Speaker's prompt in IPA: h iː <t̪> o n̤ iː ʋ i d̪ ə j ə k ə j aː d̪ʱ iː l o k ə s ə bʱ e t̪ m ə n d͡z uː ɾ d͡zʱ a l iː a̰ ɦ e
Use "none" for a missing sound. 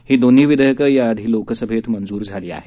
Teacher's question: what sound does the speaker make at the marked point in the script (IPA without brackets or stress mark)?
d̪